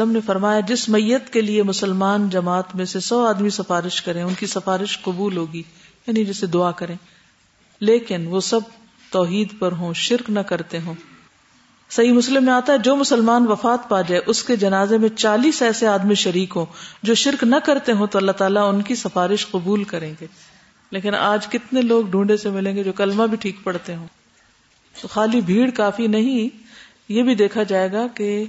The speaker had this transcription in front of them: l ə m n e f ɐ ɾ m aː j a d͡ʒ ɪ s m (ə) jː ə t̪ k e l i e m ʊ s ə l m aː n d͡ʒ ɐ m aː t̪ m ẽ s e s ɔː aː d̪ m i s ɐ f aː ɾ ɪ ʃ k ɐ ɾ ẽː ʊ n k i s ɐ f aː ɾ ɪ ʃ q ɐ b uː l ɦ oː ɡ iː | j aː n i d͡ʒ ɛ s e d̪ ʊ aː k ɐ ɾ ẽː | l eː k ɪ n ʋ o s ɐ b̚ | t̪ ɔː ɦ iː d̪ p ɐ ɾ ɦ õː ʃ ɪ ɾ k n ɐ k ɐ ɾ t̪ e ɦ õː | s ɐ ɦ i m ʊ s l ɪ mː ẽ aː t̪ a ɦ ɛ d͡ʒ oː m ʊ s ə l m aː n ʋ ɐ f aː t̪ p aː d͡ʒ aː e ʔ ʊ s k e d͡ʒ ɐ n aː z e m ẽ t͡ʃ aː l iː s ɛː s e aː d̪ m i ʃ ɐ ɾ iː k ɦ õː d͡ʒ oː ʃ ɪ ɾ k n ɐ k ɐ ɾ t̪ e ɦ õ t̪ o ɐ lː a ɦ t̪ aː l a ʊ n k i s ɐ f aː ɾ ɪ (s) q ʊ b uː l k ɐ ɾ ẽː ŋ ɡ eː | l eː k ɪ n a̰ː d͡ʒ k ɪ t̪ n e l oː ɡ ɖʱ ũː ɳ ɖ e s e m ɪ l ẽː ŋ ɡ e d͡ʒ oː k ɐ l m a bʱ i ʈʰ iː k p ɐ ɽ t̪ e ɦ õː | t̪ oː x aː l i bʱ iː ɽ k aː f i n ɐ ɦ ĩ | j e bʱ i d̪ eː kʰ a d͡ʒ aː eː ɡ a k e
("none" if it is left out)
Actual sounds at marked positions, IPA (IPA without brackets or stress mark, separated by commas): ɐ, ʃ